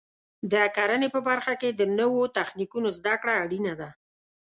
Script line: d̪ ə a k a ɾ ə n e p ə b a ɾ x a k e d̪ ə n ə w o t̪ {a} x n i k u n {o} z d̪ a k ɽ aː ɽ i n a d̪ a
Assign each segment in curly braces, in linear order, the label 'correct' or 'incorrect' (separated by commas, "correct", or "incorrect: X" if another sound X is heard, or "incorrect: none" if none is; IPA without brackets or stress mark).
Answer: correct, correct